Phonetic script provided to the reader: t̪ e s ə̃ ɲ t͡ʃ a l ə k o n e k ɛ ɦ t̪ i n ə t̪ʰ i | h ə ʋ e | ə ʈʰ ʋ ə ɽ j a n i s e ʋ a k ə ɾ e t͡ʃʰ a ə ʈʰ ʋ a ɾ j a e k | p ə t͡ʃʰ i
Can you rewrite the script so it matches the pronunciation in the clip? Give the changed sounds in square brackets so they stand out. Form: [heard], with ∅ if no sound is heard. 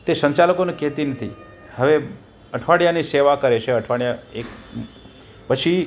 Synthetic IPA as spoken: t̪ e s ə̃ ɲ t͡ʃ a l ə k o n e k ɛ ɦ t̪ i n ə t̪ʰ i | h ə ʋ e | ə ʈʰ ʋ [a] ɽ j a n i s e ʋ a k ə ɾ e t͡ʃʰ [e] ə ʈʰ ʋ a [ɽ] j a e k | p ə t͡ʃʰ i